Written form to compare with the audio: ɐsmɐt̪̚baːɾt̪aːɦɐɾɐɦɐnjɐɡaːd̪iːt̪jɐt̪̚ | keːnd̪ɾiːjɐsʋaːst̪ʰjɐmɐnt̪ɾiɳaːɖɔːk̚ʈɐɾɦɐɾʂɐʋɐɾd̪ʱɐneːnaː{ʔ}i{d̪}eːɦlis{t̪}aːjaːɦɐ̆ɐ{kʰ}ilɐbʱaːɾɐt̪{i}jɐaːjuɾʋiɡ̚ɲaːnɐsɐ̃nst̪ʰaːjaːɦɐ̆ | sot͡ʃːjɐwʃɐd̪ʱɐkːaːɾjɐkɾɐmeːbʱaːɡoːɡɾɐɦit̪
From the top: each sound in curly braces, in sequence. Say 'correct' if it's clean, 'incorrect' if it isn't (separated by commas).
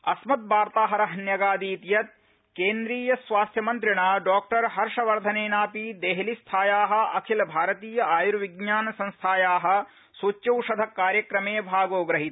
incorrect, correct, incorrect, correct, incorrect